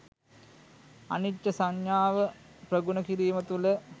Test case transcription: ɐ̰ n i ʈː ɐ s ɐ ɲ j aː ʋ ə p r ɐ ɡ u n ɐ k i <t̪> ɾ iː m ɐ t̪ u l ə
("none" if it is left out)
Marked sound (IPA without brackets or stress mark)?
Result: none